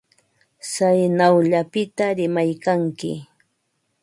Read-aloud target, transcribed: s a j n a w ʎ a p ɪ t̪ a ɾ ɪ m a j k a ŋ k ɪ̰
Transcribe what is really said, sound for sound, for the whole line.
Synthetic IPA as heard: s a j n a w ʎ a p ɪ t̪ a ɾ ɪ m a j k a ŋ k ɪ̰